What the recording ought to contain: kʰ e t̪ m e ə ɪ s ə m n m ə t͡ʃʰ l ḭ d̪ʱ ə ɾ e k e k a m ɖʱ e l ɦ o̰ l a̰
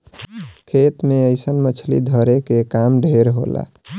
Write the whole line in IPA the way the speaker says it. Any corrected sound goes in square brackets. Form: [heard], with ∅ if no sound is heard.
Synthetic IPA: kʰ e t̪ m e ə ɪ s ə [∅] n m ə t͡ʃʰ l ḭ d̪ʱ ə ɾ e k e k a m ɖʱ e [ɾ] ɦ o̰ l a̰

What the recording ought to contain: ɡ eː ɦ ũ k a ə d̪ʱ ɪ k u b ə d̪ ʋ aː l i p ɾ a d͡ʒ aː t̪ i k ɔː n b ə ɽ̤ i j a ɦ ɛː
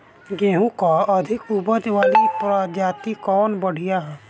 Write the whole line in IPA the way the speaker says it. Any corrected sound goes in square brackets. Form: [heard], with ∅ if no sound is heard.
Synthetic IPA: ɡ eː ɦ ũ k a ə d̪ʱ ɪ k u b ə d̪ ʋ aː l i p ɾ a d͡ʒ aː t̪ i k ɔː n b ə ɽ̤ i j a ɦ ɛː

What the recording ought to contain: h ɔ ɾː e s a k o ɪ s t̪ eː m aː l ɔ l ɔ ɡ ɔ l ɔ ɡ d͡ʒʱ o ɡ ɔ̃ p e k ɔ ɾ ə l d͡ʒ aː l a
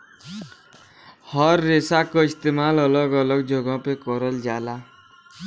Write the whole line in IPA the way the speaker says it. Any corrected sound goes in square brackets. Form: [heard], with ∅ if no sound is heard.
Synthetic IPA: h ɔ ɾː e s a k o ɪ s t̪ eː m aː l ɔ l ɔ ɡ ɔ l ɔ ɡ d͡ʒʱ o ɡ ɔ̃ p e k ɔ ɾ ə l d͡ʒ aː l a

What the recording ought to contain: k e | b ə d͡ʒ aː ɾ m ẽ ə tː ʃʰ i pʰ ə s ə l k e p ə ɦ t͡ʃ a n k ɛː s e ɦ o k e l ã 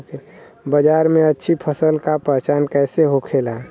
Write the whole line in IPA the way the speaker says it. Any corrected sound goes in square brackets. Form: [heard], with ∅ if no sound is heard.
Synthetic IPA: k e | b ə d͡ʒ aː ɾ m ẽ ə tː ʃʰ i pʰ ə s ə l k [a] p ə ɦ t͡ʃ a n k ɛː s e ɦ o [kʰ] e l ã

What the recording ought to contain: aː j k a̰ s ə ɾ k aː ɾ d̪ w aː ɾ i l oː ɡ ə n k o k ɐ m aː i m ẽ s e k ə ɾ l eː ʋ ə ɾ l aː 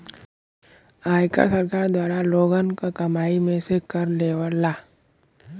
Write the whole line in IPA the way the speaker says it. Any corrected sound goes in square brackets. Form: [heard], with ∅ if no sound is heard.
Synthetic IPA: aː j k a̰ s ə ɾ k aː ɾ d̪ w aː ɾ [a] l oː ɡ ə n k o k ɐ m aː i m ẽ s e k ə ɾ l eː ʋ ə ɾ l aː

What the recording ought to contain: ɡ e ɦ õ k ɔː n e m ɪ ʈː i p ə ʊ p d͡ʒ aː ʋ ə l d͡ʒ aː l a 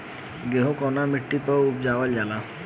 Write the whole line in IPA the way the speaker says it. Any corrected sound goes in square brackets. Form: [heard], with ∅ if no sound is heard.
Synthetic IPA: ɡ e ɦ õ k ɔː n [a] m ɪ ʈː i p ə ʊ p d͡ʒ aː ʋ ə l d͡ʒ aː l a

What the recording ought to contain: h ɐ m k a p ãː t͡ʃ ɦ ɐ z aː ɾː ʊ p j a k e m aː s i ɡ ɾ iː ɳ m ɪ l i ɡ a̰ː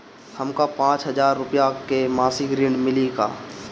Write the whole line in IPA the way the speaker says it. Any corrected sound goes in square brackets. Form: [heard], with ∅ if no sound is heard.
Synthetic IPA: h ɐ m k a p ãː t͡ʃ ɦ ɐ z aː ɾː ʊ p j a k e m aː s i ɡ ɾ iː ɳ m ɪ l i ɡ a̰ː

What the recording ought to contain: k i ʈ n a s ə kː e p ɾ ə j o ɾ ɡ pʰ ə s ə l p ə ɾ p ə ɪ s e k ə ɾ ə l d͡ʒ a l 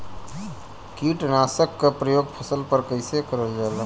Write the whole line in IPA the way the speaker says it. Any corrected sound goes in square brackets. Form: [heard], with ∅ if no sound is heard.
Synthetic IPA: k i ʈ n a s ə kː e p ɾ ə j o [∅] ɡ pʰ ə s ə l p ə ɾ [k] ə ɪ s e k ə ɾ ə l d͡ʒ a l

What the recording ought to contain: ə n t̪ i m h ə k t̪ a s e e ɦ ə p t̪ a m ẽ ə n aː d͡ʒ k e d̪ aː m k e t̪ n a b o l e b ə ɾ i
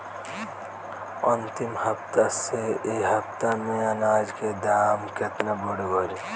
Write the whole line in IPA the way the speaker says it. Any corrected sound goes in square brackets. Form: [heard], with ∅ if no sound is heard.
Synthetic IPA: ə n t̪ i m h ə [p] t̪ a s e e ɦ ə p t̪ a m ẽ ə n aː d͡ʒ k e d̪ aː m k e t̪ n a b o [ɽ] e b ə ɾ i

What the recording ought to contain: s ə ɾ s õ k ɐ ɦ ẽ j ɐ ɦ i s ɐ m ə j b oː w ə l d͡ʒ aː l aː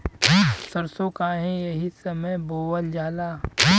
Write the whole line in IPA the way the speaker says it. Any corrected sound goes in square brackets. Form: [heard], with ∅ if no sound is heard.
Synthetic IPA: s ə ɾ s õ k [a] ɦ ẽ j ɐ ɦ i s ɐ m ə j b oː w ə l d͡ʒ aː l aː

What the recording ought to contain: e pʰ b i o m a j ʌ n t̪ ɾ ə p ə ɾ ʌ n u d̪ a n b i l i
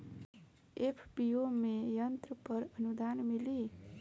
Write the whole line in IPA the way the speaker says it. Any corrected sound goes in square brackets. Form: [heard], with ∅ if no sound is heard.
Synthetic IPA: e pʰ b i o m [e] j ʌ n t̪ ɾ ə p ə ɾ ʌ n u d̪ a n [m] i l i

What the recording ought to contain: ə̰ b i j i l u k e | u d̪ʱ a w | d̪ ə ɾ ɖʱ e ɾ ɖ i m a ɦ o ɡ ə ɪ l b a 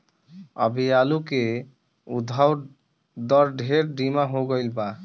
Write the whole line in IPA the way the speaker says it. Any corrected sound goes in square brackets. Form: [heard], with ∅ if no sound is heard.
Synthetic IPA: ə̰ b i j [a] l u k e | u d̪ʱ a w | d̪ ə ɾ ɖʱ e ɾ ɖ i m a ɦ o ɡ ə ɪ l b a

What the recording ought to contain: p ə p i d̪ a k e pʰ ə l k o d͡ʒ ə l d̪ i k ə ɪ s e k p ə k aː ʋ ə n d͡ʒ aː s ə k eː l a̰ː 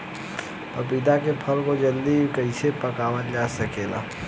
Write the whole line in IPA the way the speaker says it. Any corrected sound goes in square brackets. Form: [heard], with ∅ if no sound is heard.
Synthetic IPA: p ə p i d̪ a k e pʰ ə l k o d͡ʒ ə l d̪ i k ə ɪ s e [∅] p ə k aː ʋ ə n d͡ʒ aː s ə k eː l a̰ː

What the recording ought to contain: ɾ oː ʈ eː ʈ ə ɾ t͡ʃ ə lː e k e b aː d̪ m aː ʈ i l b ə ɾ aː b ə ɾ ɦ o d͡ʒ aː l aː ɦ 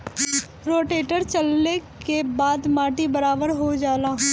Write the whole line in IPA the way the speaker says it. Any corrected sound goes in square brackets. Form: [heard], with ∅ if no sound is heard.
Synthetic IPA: ɾ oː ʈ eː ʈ ə ɾ t͡ʃ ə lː e k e b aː d̪ m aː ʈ i [∅] b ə ɾ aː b ə ɾ ɦ o d͡ʒ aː l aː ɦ

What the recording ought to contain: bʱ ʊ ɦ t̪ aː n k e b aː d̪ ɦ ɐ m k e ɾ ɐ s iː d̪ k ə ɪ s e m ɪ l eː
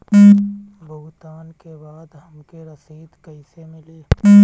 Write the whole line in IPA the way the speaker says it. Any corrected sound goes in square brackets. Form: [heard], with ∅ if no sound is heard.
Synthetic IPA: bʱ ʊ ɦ t̪ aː n k e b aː d̪ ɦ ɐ m k e ɾ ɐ s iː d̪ k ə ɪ s e m ɪ l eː

